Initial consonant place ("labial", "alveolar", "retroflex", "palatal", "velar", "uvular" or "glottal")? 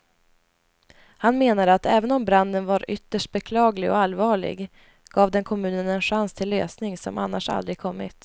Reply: glottal